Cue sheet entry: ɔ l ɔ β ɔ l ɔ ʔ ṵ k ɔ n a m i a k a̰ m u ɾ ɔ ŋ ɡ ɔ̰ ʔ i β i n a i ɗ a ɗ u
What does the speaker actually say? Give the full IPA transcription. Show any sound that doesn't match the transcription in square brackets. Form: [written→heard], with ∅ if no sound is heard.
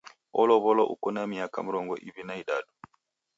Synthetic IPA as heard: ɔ l ɔ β ɔ l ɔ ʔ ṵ k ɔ n a m i a k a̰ m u ɾ ɔ ŋ ɡ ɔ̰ ʔ i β i n a i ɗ a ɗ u